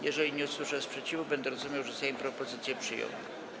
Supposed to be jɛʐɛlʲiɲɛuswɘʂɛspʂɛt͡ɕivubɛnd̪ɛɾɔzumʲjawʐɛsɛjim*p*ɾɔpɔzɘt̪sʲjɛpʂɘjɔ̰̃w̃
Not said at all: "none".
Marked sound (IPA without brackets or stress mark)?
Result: p